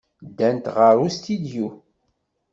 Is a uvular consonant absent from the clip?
no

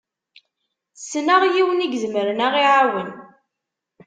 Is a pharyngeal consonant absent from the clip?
no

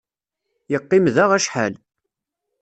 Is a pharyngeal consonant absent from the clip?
no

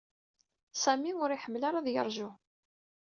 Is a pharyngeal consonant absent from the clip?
no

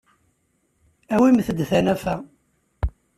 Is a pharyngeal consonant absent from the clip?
yes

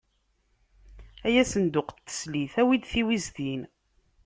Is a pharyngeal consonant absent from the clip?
yes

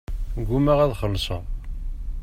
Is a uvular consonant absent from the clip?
no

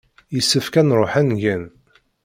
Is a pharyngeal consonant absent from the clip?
no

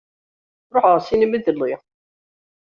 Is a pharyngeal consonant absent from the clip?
no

